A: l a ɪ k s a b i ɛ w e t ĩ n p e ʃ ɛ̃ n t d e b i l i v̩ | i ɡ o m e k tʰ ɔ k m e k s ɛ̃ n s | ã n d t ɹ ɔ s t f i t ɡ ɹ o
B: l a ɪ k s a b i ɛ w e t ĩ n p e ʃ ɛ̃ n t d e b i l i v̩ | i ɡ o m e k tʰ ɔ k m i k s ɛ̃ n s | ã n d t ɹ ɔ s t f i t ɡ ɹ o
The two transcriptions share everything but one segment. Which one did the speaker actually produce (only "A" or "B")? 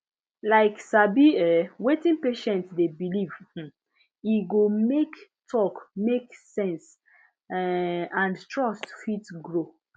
A